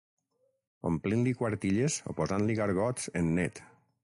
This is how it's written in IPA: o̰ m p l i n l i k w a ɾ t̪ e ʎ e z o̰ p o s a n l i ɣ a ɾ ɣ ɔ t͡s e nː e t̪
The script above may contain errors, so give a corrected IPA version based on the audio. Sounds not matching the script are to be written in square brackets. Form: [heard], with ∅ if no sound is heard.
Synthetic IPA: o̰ m p l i n l i k w a ɾ t̪ [i] ʎ e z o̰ p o [z] a n l i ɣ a ɾ ɣ ɔ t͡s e nː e t̪